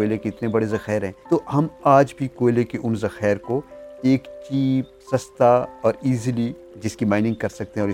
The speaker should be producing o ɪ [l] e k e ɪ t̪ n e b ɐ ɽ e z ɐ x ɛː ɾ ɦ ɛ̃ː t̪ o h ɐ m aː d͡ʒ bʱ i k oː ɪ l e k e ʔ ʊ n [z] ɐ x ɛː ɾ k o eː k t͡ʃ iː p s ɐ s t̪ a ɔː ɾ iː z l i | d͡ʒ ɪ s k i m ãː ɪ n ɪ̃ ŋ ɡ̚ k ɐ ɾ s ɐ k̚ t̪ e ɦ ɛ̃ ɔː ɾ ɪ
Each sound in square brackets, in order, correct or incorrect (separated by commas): correct, correct